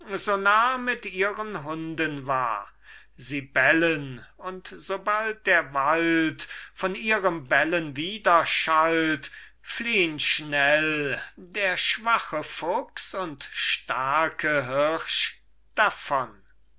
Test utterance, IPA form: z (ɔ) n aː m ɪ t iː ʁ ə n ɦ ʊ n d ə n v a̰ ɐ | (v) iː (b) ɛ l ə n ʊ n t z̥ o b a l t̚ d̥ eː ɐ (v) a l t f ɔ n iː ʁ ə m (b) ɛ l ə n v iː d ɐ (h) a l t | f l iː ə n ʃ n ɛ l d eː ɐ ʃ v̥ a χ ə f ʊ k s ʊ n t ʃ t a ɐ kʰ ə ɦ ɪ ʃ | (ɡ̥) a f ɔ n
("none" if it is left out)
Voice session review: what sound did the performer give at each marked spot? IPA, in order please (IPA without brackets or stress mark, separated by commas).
o, z, b, v, b, ʃ, d̥